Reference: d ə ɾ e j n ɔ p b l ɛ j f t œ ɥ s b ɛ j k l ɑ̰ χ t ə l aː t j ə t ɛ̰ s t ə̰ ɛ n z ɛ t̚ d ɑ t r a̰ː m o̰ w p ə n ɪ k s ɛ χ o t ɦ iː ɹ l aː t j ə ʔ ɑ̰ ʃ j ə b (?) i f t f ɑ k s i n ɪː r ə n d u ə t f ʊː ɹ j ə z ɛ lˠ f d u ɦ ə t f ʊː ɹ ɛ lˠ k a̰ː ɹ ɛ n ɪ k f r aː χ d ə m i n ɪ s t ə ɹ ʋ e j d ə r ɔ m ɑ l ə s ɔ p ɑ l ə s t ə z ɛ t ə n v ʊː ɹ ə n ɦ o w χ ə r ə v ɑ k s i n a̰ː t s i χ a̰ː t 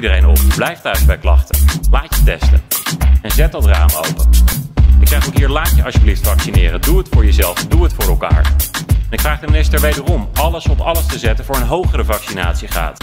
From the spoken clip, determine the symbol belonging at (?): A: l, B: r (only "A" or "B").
A